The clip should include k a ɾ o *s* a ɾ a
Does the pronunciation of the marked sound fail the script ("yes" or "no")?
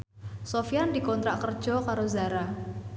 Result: yes